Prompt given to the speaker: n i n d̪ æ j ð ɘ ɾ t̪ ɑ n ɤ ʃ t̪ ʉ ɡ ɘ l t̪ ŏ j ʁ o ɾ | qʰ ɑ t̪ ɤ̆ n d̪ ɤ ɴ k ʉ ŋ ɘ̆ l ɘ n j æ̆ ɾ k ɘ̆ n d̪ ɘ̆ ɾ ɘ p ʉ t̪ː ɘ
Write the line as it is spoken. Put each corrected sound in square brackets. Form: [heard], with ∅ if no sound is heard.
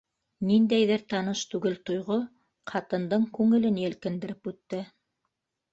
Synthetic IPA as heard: n i n d̪ æ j ð ɘ ɾ t̪ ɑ n ɤ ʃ t̪ ʉ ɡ ɘ l t̪ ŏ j ʁ o [∅] | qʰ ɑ t̪ ɤ̆ n d̪ ɤ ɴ k ʉ ŋ ɘ̆ l ɘ n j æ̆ [l] k ɘ̆ n d̪ ɘ̆ ɾ ɘ p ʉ t̪ː ɘ

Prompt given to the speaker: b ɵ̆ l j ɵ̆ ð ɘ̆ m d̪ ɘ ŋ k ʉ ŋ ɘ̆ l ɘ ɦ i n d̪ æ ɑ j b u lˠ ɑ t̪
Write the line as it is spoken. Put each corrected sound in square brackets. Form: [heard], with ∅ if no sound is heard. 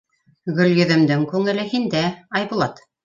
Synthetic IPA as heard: [ɡ] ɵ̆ l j ɵ̆ ð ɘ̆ m d̪ ɘ ŋ k ʉ ŋ ɘ̆ l ɘ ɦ i n d̪ æ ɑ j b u lˠ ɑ t̪

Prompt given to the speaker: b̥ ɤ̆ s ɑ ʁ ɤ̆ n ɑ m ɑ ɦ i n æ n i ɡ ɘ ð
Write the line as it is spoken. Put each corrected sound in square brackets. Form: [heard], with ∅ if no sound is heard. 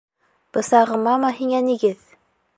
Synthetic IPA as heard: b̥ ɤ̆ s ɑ ʁ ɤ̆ [m] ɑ m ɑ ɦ i [ŋ] æ n i ɡ ɘ ð

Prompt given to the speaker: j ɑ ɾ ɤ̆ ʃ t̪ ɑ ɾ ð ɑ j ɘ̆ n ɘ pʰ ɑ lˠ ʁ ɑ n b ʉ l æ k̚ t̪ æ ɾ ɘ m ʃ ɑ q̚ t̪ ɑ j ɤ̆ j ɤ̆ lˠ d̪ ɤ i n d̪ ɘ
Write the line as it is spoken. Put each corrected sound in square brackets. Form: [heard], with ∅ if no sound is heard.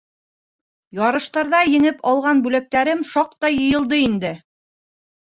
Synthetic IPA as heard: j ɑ ɾ ɤ̆ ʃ t̪ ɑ ɾ ð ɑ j ɘ̆ [ŋ] ɘ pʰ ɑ lˠ ʁ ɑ n b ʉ l æ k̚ t̪ æ ɾ ɘ m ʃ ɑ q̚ t̪ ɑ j ɤ̆ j ɤ̆ lˠ d̪ ɤ i n d̪ ɘ

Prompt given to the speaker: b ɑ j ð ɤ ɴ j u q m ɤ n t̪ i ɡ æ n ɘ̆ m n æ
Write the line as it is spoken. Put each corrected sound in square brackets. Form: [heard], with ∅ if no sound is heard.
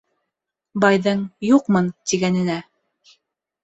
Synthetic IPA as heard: b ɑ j ð ɤ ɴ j u q m ɤ n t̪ i ɡ æ n ɘ̆ [∅] n æ

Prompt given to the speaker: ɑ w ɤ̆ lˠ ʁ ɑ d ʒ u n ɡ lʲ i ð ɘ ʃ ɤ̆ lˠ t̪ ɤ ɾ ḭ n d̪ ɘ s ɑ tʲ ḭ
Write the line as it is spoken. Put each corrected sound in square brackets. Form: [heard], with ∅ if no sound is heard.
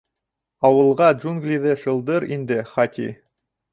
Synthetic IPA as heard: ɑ w ɤ̆ lˠ ʁ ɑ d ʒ u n ɡ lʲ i ð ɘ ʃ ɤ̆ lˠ [d̪] ɤ ɾ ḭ n d̪ ɘ [χ] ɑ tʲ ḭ

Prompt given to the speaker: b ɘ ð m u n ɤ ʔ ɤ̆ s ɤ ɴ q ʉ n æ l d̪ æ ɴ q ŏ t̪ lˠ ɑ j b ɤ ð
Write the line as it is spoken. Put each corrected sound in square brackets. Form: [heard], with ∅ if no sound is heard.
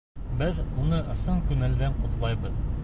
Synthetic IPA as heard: b ɘ ð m u n ɤ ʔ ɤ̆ s ɤ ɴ [k] ʉ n æ l d̪ æ ɴ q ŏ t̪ lˠ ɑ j b ɤ ð

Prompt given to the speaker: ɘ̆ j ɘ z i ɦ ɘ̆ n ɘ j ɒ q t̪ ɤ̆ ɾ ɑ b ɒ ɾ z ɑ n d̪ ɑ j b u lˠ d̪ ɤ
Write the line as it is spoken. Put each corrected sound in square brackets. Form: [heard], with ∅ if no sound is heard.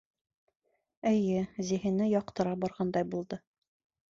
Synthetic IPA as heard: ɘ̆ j ɘ z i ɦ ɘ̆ n ɘ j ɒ q t̪ ɤ̆ ɾ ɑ b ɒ ɾ [ʁ] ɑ n d̪ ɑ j b u lˠ d̪ ɤ

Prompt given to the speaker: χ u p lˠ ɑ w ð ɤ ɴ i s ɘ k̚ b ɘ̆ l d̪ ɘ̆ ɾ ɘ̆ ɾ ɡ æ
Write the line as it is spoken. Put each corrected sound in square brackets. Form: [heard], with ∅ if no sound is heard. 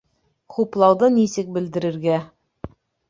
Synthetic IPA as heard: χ u p lˠ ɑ w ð ɤ [n] i s ɘ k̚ b ɘ̆ l d̪ ɘ̆ ɾ ɘ̆ ɾ ɡ æ

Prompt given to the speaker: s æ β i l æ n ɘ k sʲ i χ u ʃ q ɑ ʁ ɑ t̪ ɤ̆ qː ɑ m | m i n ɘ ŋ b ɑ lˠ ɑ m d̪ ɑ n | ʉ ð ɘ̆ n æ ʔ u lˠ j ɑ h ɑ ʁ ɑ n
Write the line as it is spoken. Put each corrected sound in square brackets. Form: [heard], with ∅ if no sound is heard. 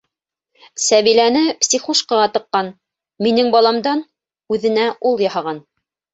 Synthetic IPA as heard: s æ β i l æ n ɘ [p] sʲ i χ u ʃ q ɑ ʁ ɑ t̪ ɤ̆ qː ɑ [n] | m i n ɘ ŋ b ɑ lˠ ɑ m d̪ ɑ n | ʉ ð ɘ̆ n æ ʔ u lˠ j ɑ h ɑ ʁ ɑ n

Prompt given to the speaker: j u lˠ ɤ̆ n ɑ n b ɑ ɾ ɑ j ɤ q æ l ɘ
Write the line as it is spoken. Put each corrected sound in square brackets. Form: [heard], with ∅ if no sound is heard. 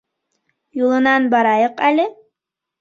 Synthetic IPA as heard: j u lˠ ɤ̆ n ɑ n b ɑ ɾ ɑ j ɤ q æ l ɘ

